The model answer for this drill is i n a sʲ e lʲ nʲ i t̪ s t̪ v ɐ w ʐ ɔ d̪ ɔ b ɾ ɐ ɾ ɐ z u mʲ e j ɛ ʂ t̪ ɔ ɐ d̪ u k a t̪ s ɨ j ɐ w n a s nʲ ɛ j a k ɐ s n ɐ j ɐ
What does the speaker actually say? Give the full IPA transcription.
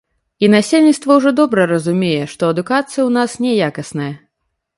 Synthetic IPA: i n a sʲ e lʲ nʲ i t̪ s t̪ v ɐ w ʐ ɔ d̪ ɔ b ɾ ɐ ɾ ɐ z u mʲ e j ɛ ʂ t̪ ɔ ɐ d̪ u k a t̪ s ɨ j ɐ w n a s nʲ ɛ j a k ɐ s n ɐ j ɐ